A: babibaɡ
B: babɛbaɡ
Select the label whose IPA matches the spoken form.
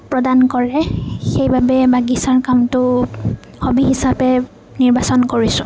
B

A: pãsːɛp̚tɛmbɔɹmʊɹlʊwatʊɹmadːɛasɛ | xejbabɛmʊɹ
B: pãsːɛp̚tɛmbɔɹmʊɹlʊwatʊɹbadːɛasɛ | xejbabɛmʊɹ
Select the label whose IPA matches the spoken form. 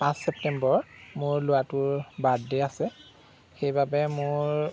B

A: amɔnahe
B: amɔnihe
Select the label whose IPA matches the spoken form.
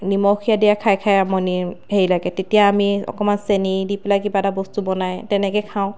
B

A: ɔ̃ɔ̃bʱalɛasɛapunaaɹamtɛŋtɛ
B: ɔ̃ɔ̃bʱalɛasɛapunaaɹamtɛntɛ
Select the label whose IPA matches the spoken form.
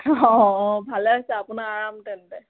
B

